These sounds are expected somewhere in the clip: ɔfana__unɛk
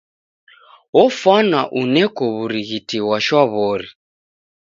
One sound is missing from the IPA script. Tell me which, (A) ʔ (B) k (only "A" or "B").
A